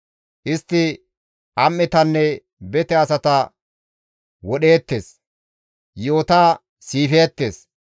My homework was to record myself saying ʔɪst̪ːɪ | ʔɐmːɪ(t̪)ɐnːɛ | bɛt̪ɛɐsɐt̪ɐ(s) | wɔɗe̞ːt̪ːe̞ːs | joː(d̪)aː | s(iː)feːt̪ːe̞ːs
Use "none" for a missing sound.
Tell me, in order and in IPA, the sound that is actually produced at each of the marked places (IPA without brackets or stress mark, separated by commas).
t̪, none, t̪, iː